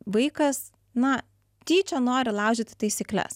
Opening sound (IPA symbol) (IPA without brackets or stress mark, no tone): ʋ